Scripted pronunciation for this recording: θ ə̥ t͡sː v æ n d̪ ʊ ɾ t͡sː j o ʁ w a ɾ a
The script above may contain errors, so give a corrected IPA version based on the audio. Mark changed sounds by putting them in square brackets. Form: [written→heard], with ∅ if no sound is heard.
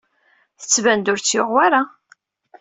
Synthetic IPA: θ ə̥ t͡sː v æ n d̪ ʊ ɾ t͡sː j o ʁ w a ɾ a